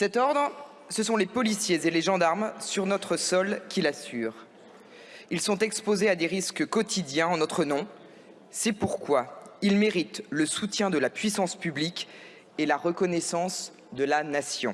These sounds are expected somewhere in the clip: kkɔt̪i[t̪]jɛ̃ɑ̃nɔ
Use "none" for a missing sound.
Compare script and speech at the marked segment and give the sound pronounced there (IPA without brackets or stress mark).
d̪